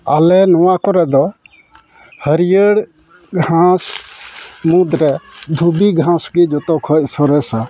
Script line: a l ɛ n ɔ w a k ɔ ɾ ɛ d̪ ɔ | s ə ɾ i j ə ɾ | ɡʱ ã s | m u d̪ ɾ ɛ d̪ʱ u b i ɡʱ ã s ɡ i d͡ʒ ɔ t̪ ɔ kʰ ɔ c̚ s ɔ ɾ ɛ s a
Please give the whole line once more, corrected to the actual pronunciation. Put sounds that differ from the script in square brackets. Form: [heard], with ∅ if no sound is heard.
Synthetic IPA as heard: a l ɛ n ɔ w a k ɔ ɾ ɛ d̪ ɔ | [h] ə ɾ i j ə [ɽ] | ɡʱ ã s | m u d̪ ɾ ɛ d̪ʱ u b i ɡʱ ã s ɡ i d͡ʒ ɔ t̪ ɔ kʰ ɔ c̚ s ɔ ɾ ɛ s a